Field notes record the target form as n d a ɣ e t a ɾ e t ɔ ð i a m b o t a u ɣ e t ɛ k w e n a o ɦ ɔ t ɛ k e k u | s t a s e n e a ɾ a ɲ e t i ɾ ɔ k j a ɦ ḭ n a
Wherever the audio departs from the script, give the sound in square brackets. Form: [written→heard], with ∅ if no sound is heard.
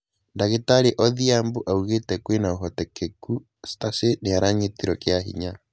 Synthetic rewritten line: n d a ɣ e t a ɾ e [t→ʔ] ɔ ð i a m b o [t→ʔ] a u ɣ e t ɛ k w e n a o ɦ ɔ t ɛ k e k u | s t a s e n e a ɾ a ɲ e t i ɾ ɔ k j a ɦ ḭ [n→ɲ] a